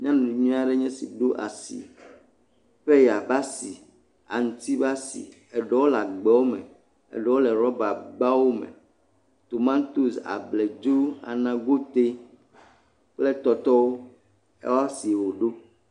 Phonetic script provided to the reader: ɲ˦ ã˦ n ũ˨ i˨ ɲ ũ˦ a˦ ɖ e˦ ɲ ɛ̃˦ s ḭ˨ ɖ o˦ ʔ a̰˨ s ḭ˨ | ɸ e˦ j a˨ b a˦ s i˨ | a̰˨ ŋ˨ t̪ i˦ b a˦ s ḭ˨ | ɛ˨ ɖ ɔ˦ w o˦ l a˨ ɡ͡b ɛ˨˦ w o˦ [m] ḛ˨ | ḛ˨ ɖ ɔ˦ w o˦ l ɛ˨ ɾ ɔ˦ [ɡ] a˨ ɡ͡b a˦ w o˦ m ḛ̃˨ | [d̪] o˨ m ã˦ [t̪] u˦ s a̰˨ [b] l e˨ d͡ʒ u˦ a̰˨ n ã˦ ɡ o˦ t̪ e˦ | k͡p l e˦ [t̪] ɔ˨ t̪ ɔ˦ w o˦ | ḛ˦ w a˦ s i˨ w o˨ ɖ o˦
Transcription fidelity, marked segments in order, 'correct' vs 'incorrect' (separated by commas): correct, incorrect, incorrect, correct, correct, correct